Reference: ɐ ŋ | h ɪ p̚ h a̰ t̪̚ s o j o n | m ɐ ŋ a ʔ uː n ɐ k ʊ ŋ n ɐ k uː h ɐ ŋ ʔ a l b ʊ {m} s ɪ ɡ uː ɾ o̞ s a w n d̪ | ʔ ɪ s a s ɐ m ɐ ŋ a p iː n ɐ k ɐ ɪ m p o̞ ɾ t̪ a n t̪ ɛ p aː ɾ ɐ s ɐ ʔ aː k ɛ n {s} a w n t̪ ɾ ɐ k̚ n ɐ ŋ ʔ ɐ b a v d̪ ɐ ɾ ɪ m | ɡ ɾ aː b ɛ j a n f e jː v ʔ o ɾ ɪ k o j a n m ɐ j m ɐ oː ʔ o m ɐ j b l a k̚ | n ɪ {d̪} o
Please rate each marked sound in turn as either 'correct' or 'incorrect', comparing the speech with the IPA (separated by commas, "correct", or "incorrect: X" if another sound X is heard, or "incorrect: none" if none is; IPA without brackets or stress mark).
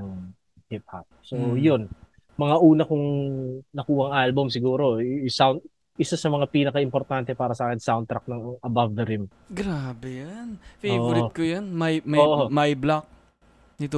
correct, correct, incorrect: t̪